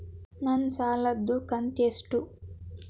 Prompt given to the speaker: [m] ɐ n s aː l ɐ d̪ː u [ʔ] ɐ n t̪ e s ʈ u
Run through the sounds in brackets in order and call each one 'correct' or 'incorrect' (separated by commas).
incorrect, incorrect